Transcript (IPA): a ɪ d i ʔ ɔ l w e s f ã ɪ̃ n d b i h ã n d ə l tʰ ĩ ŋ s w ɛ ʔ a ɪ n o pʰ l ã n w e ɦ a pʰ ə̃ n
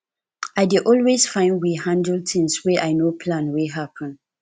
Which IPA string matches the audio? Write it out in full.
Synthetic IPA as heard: a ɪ d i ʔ ɔ l w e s f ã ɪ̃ n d w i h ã n d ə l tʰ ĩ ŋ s w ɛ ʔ a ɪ n o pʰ l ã n w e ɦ a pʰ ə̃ n